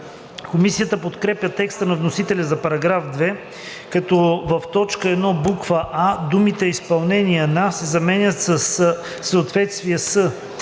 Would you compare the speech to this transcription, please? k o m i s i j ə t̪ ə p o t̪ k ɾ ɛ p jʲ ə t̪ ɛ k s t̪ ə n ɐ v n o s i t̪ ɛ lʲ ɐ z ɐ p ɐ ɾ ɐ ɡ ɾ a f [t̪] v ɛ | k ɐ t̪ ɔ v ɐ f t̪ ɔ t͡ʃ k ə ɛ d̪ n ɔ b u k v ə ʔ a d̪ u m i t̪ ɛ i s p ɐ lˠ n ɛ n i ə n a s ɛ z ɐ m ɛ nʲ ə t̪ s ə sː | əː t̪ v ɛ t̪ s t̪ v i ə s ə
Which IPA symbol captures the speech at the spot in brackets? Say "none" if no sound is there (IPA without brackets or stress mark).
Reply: d̪